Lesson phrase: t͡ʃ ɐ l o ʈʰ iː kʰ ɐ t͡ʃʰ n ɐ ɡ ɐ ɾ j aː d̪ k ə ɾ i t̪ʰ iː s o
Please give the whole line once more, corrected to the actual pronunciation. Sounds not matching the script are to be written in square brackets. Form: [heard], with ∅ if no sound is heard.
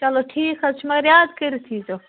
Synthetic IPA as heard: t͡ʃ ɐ l o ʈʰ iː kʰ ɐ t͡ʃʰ [m] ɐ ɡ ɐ ɾ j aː d̪ k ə ɾ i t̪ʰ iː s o

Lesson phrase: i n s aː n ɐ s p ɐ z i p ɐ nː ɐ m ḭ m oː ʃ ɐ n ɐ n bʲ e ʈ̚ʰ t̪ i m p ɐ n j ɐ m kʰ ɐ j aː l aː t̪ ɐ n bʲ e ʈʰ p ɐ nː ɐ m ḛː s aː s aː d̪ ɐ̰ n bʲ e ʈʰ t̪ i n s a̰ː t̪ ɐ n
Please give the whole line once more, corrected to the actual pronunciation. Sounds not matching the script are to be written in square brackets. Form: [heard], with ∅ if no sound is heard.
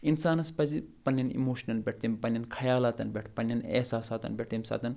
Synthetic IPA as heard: i n s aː n ɐ s p ɐ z i p ɐ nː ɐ [n] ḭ m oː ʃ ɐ n ɐ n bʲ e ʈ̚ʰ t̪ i m p ɐ n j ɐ [n] kʰ ɐ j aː l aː t̪ ɐ n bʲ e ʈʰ p ɐ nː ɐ [n] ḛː s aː s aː [t̪] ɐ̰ n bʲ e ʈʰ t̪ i [m] s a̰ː t̪ ɐ n

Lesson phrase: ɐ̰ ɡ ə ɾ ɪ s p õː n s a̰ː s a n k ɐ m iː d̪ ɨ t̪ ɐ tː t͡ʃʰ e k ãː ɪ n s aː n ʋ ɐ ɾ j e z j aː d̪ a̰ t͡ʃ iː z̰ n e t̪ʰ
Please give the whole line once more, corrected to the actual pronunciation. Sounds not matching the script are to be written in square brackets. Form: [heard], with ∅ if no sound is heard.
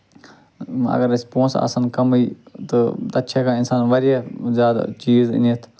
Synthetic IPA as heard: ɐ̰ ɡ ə ɾ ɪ s p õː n s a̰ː s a n k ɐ m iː [t̪] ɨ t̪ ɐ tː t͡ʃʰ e k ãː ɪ n s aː n ʋ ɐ ɾ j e z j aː d̪ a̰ t͡ʃ iː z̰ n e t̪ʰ

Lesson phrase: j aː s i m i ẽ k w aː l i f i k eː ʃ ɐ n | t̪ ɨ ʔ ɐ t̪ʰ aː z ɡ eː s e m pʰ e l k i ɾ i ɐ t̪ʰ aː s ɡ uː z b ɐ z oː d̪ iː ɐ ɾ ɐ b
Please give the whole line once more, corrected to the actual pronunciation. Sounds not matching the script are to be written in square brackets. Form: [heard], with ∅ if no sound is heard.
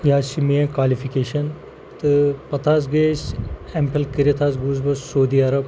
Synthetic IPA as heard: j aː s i m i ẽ k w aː l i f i k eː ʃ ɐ n | t̪ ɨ [p] ɐ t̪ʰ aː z ɡ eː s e m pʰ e l k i ɾ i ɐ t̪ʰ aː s ɡ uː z b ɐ [s] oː d̪ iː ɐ ɾ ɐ b

